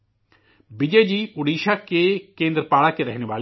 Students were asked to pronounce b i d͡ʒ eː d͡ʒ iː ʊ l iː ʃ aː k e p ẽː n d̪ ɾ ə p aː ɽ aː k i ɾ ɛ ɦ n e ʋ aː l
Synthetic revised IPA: b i d͡ʒ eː d͡ʒ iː ʊ ɽ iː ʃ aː k e k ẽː n d̪ ɾ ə p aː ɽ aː k e ɾ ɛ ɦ n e ʋ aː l